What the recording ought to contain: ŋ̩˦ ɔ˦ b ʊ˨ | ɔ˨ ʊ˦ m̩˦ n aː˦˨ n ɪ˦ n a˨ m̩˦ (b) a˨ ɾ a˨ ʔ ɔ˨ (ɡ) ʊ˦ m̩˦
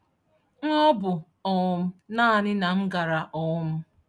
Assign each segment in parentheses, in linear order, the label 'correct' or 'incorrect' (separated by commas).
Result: incorrect, incorrect